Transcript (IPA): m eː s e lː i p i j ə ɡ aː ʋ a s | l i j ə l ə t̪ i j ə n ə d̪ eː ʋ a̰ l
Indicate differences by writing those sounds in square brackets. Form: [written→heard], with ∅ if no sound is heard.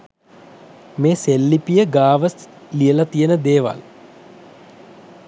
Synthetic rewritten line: m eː s e lː i p i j ə ɡ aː ʋ [a→ə] s | l i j ə l [ə→a] t̪ i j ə n ə d̪ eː ʋ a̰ l